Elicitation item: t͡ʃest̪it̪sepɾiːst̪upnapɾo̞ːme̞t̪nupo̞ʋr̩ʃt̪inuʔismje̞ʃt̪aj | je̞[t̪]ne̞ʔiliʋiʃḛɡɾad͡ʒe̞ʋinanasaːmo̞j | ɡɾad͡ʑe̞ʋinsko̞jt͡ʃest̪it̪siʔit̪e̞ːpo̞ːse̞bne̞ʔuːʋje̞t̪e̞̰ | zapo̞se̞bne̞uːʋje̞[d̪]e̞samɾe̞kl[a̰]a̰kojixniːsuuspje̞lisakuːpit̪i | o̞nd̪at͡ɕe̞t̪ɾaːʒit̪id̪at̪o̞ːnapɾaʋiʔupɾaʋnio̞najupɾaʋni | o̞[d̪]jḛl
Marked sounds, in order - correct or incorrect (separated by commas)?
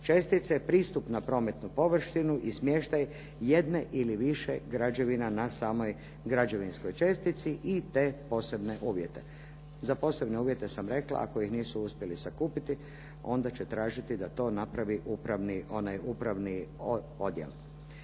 incorrect, incorrect, correct, correct